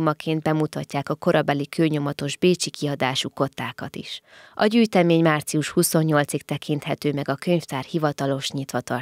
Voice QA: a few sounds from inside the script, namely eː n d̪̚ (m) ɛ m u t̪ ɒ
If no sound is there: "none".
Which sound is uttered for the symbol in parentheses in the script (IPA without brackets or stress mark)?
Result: b